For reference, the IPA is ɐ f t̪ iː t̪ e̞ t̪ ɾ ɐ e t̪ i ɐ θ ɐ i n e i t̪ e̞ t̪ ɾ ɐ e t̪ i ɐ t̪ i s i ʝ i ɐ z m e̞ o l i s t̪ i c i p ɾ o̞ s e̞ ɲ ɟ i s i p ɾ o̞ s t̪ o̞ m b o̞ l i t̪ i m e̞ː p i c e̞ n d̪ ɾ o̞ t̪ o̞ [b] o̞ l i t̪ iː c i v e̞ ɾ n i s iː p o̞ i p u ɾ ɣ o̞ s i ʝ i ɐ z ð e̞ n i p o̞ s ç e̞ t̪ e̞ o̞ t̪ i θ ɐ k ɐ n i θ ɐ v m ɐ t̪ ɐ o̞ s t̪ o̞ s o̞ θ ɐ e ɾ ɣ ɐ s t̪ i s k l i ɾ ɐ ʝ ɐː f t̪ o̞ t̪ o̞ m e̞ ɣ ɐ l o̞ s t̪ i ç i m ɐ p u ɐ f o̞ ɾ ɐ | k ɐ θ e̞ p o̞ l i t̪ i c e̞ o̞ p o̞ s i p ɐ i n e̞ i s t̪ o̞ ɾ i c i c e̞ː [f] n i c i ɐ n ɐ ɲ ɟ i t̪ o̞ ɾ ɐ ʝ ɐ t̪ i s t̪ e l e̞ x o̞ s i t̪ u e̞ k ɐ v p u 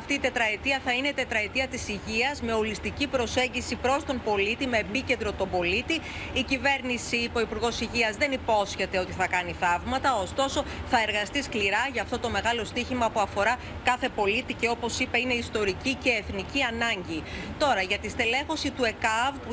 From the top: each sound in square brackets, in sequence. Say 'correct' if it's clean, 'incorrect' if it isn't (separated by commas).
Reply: correct, incorrect